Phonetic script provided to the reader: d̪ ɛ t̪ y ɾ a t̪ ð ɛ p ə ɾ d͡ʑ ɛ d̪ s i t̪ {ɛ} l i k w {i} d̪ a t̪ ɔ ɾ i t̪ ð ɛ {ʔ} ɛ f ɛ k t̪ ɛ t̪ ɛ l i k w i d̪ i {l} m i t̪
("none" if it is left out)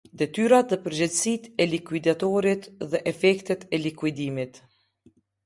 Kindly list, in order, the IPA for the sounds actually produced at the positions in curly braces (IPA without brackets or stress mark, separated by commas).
ɛ, i, ʔ, none